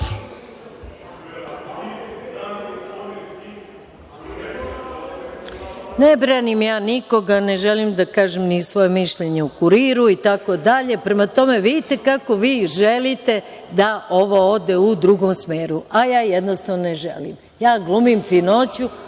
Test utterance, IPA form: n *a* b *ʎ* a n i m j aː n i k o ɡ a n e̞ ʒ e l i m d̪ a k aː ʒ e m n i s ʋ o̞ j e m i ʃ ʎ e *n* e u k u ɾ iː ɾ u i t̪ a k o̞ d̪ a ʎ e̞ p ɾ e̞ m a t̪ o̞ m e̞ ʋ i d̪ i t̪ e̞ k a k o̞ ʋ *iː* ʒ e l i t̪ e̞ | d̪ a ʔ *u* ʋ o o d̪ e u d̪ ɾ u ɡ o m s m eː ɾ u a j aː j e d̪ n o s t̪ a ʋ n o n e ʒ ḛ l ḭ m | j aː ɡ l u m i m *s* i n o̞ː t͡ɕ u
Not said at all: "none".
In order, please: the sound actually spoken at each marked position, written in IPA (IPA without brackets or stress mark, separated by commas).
e, ɾ, ɲ, iː, o, f